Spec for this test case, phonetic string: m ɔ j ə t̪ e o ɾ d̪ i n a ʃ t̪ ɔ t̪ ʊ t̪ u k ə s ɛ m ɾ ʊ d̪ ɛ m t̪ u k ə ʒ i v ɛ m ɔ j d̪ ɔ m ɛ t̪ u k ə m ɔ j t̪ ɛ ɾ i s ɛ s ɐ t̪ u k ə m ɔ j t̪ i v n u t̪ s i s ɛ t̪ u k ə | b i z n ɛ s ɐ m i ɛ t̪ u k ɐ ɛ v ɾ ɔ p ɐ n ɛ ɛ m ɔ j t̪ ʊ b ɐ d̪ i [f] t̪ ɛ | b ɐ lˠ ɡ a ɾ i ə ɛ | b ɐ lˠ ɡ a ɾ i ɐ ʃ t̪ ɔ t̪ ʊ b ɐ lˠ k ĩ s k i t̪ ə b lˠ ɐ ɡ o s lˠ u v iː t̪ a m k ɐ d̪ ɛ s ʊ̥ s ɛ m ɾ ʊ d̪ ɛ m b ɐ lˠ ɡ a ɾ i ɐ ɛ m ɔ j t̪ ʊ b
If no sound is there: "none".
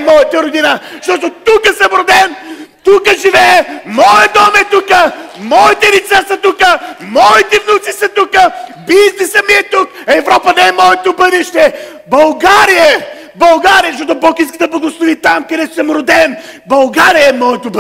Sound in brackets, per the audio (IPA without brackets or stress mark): ʃ